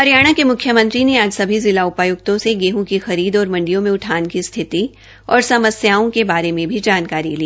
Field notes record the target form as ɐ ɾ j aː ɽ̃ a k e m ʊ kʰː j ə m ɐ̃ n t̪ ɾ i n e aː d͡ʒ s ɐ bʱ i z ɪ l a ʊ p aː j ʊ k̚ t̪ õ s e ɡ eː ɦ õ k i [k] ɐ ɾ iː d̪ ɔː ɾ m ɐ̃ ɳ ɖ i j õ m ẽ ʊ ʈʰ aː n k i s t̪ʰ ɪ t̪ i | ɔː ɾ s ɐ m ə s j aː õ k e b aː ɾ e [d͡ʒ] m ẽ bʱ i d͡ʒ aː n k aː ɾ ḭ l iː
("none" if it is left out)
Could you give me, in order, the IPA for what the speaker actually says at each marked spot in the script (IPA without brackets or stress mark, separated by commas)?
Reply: x, none